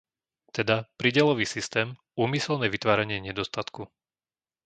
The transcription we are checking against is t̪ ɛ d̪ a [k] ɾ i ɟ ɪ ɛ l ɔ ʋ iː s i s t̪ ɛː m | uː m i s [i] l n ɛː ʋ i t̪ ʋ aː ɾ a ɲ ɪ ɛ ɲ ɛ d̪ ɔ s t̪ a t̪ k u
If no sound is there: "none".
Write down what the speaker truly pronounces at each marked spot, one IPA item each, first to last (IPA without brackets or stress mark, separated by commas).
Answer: p, ɛ